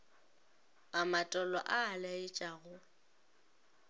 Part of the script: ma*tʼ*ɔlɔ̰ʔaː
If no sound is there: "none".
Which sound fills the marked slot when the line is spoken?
tʼ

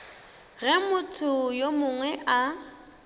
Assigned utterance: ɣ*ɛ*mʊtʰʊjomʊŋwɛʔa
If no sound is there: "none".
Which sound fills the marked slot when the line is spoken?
ɛ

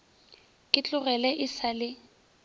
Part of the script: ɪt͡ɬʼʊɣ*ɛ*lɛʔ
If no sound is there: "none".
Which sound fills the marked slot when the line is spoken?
ɛ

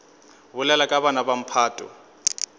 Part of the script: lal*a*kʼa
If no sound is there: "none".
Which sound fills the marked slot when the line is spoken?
a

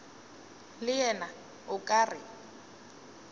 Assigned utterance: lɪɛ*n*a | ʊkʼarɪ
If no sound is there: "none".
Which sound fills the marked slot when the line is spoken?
n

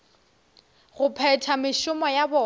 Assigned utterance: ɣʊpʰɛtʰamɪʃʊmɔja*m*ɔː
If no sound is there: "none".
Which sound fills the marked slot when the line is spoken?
b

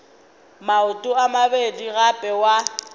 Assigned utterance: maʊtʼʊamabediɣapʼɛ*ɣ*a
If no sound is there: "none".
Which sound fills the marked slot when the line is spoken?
w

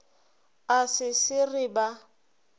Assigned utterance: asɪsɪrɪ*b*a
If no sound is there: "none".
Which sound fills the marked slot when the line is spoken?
b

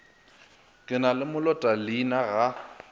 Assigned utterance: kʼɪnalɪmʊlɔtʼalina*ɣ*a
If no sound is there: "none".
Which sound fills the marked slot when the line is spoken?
ɣ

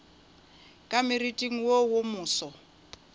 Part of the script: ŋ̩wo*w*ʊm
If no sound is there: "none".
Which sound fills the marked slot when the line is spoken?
w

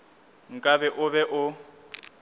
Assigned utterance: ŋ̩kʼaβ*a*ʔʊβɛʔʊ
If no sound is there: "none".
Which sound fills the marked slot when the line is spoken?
ɛ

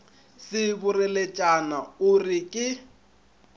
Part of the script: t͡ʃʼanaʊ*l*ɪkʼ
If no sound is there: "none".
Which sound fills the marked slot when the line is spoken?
r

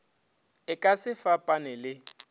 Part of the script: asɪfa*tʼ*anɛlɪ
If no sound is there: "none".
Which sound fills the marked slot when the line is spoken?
pʼ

